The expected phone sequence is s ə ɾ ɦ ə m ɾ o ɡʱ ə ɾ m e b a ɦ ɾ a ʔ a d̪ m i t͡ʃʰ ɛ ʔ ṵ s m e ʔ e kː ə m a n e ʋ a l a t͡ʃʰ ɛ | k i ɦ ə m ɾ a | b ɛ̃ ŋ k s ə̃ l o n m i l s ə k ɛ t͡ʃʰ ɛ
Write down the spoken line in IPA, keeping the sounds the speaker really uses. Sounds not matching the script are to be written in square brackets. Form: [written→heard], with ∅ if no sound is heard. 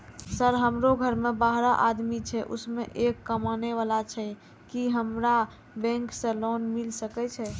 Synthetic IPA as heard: s ə ɾ ɦ ə m ɾ o ɡʱ ə ɾ m e b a ɦ ɾ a ʔ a d̪ m i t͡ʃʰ ɛ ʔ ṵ s m e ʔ e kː ə m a n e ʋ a l a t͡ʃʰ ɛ | k i ɦ ə m ɾ a | b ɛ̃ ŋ k s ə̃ l o n m i l s ə k ɛ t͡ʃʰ ɛ